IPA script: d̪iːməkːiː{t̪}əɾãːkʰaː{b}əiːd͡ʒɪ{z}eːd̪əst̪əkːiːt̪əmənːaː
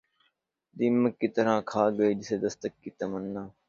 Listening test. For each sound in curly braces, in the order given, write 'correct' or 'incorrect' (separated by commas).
correct, incorrect, incorrect